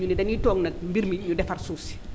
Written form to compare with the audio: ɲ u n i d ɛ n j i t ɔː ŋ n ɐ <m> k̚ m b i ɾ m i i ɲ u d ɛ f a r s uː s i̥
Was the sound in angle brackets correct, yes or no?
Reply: no